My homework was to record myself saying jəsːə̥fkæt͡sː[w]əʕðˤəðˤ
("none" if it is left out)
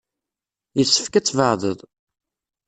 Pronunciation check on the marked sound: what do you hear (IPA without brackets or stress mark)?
v